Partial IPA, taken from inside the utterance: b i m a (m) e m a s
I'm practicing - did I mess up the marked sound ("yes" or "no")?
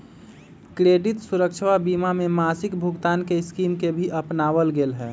no